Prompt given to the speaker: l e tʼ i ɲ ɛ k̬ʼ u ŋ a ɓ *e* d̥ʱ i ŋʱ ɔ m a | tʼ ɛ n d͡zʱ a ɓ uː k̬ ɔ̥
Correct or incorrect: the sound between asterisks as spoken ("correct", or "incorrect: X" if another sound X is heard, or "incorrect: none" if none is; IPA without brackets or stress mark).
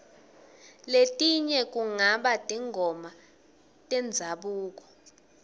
incorrect: a